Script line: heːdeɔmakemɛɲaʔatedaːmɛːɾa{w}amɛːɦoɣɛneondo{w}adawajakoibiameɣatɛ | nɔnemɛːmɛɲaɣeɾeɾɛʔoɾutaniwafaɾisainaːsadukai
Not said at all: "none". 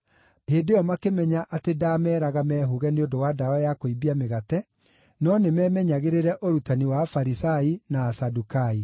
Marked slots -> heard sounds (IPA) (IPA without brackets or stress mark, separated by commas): ɣ, w